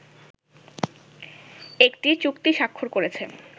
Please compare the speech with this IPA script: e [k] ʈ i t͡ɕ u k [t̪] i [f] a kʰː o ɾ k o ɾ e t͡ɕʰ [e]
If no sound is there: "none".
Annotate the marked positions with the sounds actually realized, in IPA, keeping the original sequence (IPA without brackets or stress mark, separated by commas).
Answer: k, t̪, ʃ, e